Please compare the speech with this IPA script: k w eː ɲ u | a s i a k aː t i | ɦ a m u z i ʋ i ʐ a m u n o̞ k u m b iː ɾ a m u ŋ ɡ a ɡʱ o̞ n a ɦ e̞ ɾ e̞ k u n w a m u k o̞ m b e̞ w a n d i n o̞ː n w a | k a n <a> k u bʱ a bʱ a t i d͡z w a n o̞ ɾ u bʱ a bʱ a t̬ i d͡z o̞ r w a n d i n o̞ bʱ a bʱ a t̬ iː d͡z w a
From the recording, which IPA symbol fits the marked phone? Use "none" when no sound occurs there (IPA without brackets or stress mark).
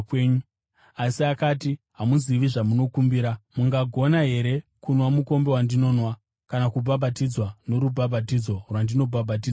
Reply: a